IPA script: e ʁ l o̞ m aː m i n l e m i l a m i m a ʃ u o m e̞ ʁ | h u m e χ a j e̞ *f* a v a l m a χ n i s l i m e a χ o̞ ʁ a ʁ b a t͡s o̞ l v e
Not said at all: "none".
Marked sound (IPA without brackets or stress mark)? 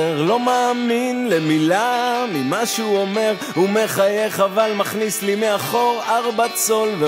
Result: χ